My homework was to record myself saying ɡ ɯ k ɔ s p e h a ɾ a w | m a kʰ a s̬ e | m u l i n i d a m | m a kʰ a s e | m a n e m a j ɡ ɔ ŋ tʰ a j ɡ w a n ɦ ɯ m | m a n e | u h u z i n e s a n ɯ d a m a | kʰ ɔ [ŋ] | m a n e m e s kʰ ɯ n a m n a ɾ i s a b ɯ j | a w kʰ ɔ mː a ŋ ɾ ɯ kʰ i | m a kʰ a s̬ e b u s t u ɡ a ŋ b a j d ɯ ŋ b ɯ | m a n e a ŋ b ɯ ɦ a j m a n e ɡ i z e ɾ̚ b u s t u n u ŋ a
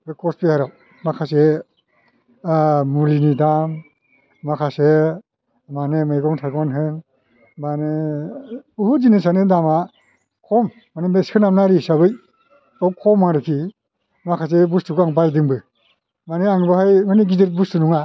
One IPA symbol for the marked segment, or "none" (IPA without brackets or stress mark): m